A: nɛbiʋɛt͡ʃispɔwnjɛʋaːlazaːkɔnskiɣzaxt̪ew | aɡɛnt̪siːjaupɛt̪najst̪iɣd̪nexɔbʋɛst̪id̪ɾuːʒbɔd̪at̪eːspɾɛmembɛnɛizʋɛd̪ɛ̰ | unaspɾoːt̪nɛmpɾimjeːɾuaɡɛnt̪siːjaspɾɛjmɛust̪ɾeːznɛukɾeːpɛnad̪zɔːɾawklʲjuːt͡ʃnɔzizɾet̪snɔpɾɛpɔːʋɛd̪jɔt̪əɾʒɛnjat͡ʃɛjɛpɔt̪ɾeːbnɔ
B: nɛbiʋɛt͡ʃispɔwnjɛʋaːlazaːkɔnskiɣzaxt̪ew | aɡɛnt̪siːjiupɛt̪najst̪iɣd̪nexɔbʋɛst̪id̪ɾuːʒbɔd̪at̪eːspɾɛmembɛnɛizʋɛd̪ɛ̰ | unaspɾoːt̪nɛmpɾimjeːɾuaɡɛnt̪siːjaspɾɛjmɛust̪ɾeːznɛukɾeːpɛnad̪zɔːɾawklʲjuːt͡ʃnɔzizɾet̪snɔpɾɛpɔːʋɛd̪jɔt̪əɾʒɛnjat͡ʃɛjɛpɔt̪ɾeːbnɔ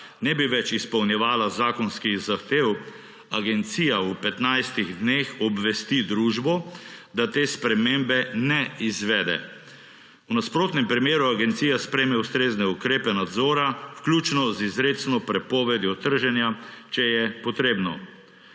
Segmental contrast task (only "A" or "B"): A